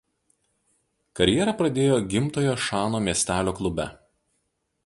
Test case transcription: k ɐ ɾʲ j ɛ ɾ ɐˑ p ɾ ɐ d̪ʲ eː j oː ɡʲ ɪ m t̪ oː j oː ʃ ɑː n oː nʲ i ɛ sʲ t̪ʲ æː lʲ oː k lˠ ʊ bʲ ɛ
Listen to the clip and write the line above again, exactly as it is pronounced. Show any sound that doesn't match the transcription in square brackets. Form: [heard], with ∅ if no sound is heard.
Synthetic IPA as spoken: k ɐ ɾʲ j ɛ ɾ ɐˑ p ɾ ɐ d̪ʲ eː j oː ɡʲ ɪ m t̪ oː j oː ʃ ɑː n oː [mʲ] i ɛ sʲ t̪ʲ æː lʲ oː k lˠ ʊ bʲ ɛ